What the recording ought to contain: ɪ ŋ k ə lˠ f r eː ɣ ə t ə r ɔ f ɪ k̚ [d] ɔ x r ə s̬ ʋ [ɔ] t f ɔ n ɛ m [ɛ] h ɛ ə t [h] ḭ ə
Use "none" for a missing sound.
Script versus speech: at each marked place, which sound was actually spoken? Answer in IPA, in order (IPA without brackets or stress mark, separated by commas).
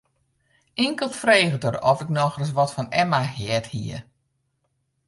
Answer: n, ɔ, a, h